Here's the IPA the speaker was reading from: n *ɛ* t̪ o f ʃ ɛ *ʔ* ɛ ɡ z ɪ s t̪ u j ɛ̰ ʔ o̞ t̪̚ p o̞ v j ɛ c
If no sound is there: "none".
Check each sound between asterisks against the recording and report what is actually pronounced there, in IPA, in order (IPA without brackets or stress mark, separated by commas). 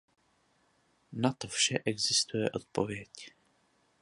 a, ʔ